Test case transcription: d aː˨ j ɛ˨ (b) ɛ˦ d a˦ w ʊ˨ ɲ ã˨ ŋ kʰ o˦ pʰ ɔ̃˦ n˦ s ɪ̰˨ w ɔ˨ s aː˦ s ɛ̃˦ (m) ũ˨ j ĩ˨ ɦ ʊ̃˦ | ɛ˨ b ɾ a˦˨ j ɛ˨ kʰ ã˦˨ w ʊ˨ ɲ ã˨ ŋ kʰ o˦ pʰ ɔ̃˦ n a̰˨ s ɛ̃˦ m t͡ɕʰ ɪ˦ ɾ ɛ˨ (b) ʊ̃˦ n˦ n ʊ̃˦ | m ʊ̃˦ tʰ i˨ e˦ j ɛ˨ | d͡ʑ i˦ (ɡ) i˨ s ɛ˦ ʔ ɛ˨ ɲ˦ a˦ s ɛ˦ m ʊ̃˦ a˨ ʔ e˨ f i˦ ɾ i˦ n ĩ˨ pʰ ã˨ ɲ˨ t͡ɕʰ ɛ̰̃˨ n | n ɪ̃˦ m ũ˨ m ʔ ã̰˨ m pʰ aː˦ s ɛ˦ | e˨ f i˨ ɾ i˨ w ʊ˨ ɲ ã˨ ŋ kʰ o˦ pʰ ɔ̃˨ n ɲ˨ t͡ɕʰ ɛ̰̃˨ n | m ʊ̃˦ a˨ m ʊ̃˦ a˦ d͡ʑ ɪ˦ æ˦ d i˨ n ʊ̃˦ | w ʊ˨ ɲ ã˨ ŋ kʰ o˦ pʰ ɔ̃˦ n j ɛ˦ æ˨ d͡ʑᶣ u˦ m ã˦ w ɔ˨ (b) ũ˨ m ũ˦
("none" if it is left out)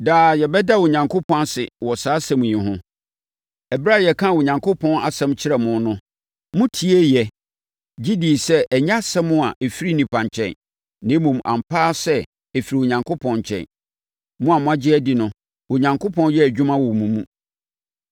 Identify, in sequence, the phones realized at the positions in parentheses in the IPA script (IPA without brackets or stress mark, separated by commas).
b, m, m, d, m